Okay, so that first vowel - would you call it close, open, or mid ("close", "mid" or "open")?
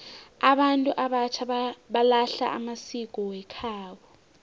open